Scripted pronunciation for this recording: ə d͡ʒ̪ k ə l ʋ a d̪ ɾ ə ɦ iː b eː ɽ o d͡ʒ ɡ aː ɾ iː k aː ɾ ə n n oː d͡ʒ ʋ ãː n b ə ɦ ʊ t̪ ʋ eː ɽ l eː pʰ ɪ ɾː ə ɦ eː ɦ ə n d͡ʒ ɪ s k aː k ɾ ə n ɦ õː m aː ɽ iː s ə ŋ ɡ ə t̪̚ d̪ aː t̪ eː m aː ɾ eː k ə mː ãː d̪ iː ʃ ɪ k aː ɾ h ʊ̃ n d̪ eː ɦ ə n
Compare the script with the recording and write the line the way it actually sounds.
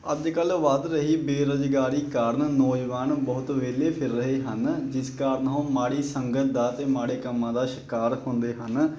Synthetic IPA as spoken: ə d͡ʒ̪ k ə l ʋ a d̪ ɾ ə ɦ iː b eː ɾ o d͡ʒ ɡ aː ɾ iː k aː ɾ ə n n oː d͡ʒ ʋ aː n b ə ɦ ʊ t̪ ʋ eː l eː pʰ ɪ ɾː ə ɦ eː ɦ ə n d͡ʒ ɪ s k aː ɾ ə n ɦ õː m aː ɽ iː s ə ŋ ɡ ə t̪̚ d̪ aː t̪ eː m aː ɽ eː k ə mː ãː d̪ aː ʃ ɪ k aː ɾ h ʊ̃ n d̪ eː ɦ ə n